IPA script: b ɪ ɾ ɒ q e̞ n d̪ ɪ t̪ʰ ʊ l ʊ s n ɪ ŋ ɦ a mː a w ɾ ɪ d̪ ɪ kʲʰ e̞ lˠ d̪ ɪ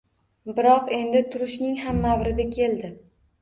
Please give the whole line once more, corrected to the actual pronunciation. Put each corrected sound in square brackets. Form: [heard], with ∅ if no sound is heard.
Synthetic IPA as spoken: b ɪ ɾ ɒ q e̞ n d̪ ɪ t̪ʰ ʊ [ɾ] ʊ [ʃ] n ɪ ŋ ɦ a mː a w ɾ ɪ d̪ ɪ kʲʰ e̞ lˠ d̪ ɪ